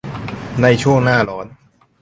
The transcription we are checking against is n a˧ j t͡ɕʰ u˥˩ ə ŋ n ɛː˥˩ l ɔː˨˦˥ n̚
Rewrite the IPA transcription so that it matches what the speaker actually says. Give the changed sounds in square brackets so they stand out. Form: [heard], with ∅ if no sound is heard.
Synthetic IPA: n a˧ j t͡ɕʰ u˥˩ ə ŋ n [aː˥˩] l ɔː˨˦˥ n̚